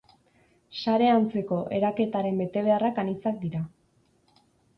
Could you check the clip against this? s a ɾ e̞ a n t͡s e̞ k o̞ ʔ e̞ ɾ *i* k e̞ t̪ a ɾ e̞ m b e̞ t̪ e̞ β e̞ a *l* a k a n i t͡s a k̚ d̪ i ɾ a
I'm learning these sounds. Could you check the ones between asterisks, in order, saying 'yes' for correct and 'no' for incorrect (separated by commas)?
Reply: no, no